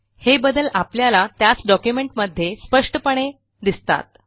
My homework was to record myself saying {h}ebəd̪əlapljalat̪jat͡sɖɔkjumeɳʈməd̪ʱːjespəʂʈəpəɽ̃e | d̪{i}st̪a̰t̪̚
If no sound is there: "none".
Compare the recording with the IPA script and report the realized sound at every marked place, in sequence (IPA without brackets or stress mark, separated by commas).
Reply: h, i